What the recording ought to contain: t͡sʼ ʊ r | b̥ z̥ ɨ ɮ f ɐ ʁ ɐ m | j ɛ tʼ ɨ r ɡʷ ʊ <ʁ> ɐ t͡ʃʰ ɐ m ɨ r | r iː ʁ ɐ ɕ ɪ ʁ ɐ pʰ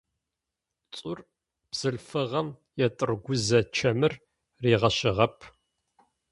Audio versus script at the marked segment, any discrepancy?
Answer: yes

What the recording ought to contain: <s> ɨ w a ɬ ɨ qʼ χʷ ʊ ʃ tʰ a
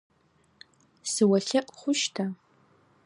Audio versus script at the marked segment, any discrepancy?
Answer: no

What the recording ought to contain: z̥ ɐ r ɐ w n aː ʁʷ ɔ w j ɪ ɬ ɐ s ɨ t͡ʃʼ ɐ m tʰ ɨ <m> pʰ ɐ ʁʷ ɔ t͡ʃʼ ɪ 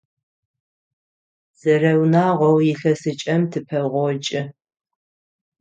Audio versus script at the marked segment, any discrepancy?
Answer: yes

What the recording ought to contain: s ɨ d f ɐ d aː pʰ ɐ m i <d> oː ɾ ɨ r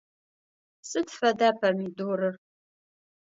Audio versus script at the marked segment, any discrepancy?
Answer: no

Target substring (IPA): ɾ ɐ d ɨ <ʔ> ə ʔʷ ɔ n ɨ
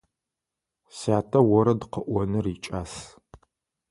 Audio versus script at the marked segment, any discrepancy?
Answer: yes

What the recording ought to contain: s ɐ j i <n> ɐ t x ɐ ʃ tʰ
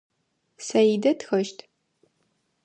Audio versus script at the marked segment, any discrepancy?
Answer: yes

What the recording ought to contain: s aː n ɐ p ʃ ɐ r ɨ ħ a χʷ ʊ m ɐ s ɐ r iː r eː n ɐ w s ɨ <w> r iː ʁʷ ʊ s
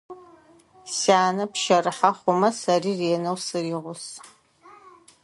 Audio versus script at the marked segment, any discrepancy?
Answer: yes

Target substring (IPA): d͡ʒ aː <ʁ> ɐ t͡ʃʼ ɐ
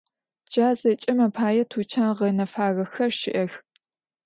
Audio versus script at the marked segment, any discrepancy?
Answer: yes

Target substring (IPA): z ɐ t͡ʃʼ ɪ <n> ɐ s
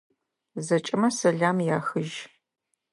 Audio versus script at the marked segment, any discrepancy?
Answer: yes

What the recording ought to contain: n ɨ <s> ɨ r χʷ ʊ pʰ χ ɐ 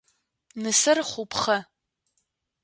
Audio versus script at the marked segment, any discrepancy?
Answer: no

